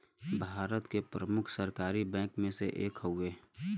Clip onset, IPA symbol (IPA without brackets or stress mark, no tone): bʱ